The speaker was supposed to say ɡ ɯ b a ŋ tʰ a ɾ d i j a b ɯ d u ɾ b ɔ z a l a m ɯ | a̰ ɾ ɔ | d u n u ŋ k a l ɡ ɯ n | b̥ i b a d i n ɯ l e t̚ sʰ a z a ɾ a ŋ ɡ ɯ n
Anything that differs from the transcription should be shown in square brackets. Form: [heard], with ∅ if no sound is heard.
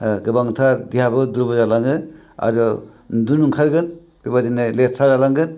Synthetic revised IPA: ɡ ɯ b a ŋ tʰ a ɾ d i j a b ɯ d u ɾ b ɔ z a l a [ŋ] ɯ | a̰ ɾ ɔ | d u n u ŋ [kʰ] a [ɾ] ɡ ɯ n | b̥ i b a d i n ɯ l e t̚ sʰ a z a [l] a ŋ ɡ ɯ n